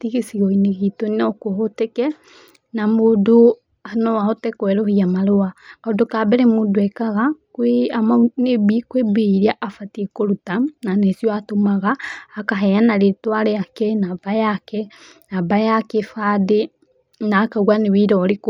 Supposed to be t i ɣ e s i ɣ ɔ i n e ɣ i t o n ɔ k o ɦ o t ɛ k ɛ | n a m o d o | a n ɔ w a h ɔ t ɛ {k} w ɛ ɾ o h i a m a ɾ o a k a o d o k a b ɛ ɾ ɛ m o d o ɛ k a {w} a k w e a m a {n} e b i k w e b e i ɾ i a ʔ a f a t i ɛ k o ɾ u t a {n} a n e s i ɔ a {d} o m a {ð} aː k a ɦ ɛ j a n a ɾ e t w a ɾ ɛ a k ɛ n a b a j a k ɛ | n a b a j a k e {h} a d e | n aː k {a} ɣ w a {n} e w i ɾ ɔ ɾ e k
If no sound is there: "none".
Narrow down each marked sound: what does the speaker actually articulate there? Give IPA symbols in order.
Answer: k, ɣ, n, n, t, ɣ, f, a, n

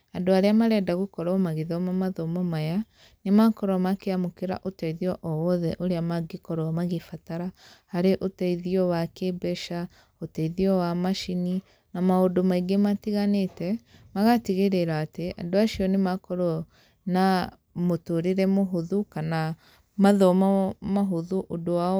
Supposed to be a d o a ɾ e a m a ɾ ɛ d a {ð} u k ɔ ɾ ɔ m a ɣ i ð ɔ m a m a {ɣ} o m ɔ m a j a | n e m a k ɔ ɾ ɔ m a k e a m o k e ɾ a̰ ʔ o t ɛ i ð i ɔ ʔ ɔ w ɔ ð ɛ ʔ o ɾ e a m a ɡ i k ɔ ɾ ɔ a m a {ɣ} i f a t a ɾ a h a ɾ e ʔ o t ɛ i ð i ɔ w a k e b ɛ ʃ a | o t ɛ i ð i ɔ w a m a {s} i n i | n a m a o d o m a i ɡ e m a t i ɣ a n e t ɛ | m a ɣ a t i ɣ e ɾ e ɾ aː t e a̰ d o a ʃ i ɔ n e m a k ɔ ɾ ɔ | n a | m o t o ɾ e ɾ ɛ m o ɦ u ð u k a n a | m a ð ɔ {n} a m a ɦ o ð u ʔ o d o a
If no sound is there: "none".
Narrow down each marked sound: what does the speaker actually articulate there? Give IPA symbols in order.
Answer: ɣ, ð, ɣ, ʃ, m

